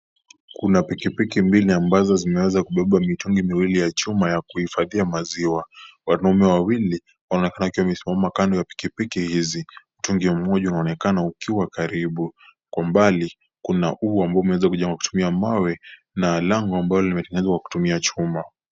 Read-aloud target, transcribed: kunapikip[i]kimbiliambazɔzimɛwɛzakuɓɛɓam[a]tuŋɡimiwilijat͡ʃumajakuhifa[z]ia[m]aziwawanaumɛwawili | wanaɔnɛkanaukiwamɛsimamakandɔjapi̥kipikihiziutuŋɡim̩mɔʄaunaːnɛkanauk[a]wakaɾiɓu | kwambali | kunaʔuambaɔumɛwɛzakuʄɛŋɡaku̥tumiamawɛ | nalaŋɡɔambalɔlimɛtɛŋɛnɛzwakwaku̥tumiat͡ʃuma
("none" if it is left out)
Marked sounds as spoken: i, i, ð, m, i

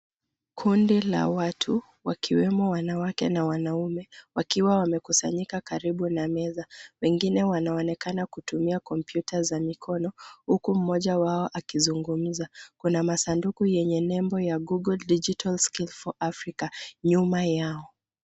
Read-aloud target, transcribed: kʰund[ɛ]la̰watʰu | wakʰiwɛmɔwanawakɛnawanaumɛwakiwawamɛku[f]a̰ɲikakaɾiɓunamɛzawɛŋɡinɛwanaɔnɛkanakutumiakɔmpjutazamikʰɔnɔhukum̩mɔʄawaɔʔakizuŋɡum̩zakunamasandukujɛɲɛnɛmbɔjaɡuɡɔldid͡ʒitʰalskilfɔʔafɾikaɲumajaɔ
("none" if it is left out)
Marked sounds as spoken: i, s

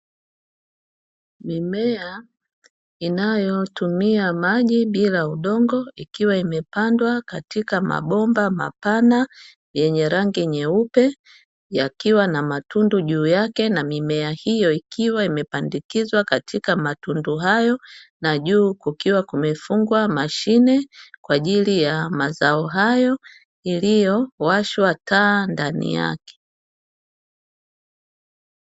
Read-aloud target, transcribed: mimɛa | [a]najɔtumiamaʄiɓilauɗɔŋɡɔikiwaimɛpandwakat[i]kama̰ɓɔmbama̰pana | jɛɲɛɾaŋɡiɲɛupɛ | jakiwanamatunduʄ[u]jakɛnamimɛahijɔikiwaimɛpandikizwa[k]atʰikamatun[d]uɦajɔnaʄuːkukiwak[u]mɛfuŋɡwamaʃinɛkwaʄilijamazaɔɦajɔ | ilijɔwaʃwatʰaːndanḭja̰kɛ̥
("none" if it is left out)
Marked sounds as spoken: i, i, uː, k, d, u

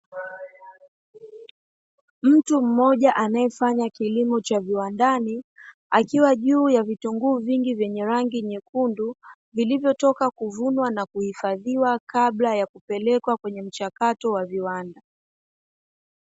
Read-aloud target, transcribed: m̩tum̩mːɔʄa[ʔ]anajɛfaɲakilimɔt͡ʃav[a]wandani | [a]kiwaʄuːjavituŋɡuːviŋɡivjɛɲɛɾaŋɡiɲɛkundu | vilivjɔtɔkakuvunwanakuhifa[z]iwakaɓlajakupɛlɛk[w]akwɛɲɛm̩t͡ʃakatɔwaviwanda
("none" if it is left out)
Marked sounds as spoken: ʔ, i, a, ð, w

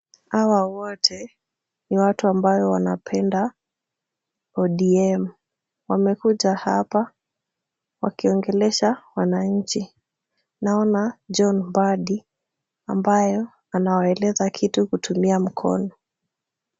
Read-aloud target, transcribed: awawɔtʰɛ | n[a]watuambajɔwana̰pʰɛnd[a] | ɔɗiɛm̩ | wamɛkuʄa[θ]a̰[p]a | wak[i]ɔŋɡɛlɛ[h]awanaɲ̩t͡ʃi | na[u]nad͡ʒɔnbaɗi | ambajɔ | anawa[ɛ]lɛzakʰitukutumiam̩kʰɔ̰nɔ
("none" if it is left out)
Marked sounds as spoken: i, a, h, p, i, ʃ, ɔ, ɛ

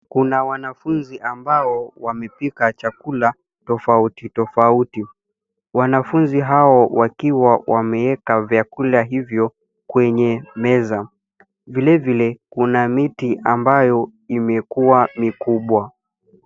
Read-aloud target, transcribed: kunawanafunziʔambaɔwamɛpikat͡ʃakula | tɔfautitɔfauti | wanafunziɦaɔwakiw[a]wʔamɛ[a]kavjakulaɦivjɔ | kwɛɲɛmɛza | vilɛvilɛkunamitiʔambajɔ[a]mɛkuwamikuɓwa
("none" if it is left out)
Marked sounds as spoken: a, ɛ, i

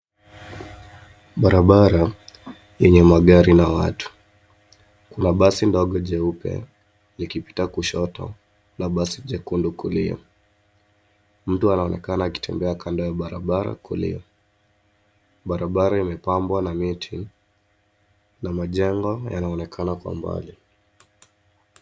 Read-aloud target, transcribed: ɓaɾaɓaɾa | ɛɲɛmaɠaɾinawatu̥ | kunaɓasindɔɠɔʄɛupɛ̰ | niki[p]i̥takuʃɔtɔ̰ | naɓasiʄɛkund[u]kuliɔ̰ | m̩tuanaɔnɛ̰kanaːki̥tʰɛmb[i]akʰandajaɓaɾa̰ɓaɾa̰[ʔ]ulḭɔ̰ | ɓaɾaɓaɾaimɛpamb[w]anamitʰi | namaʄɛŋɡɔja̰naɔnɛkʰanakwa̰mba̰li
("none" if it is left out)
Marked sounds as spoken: p, u, ɛ, k, w

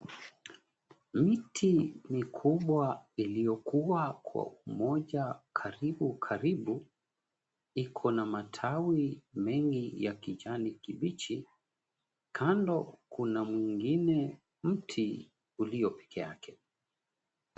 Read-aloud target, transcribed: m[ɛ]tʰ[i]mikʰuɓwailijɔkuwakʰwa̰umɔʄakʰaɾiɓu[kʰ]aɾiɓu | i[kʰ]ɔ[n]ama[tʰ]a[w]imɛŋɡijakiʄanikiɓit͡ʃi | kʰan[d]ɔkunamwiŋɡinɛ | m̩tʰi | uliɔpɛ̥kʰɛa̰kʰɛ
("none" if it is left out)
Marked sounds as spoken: i, i, kʰ, kʰ, n, tʰ, w, d

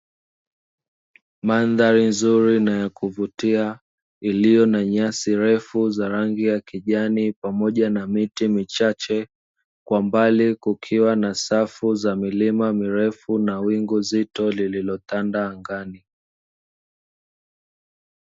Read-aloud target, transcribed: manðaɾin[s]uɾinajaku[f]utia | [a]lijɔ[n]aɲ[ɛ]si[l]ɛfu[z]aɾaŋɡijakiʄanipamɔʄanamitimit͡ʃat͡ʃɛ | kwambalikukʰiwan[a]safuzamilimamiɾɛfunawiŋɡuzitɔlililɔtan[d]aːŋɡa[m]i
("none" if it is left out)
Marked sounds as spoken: z, v, i, n, a, ɾ, z, a, d, n

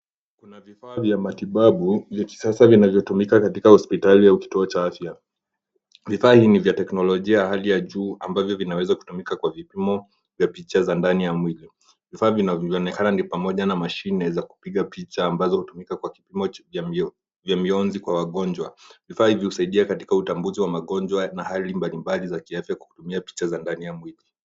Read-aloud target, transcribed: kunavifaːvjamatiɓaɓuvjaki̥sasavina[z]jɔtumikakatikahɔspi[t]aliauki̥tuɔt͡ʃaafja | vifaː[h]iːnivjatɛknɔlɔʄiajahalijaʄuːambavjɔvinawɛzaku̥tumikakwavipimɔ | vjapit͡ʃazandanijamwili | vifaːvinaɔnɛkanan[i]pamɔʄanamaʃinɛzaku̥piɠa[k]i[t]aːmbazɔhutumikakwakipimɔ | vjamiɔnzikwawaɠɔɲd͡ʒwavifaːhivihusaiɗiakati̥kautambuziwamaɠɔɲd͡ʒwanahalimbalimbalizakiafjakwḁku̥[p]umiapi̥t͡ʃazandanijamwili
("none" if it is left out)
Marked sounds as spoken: v, t, h, i, p, t͡ʃ, t

